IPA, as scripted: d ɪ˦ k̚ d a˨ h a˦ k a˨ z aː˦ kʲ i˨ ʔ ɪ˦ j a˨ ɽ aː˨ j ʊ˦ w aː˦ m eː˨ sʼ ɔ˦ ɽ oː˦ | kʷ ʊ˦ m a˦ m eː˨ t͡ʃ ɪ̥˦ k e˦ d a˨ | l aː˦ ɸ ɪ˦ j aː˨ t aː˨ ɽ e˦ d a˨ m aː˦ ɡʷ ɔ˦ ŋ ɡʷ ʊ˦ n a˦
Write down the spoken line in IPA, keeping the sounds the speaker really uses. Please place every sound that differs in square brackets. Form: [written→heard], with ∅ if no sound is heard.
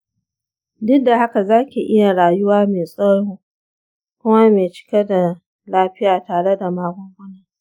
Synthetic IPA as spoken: d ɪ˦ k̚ d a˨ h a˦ k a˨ z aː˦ kʲ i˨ ʔ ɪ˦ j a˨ ɽ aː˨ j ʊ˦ w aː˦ m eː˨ sʼ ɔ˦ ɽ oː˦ | kʷ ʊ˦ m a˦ m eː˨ t͡ʃ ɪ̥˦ k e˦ d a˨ | l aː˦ ɸ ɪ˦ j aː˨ t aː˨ ɽ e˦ d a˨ m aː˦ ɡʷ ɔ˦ ŋ ɡʷ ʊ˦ n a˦